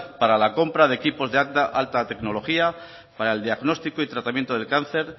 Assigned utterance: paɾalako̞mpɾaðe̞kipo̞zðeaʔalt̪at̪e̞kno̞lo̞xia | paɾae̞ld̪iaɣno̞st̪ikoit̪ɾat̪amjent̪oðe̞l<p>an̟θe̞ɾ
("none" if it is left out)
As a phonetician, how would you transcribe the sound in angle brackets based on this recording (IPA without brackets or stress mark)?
k